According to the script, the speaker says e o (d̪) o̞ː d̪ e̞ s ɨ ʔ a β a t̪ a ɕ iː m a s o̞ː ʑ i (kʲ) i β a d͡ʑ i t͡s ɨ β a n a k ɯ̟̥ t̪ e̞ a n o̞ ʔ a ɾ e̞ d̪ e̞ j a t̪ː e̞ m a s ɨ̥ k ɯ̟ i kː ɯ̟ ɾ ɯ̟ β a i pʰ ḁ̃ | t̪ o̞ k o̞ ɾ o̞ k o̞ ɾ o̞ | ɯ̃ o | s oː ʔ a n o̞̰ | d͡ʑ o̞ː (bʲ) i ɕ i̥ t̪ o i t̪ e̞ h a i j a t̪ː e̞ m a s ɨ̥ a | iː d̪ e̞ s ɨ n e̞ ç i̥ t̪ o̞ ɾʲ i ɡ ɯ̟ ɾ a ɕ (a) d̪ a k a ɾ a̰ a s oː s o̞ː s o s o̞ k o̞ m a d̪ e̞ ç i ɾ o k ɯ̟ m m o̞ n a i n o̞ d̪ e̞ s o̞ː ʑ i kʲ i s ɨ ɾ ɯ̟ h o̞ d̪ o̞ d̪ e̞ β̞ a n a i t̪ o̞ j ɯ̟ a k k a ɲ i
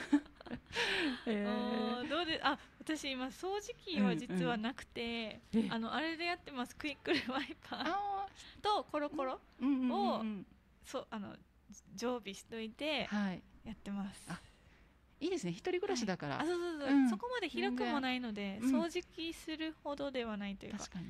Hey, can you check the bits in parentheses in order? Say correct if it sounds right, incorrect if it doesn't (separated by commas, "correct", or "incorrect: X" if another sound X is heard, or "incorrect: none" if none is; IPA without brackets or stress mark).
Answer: correct, correct, correct, incorrect: i